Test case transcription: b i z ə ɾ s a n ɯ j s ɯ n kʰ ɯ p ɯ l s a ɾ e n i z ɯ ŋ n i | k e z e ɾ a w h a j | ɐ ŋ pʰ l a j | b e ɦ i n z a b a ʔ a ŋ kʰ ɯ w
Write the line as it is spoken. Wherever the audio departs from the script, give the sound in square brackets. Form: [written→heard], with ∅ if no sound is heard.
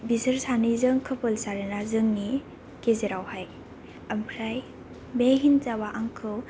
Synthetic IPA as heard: b i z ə ɾ s a n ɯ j [s→z] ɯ [n→ŋ] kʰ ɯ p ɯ l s a ɾ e n [i→a] z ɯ ŋ n i | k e z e ɾ a w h a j | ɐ [ŋ→m] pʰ [l→ɾ] a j | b e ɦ i n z a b a ʔ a ŋ kʰ ɯ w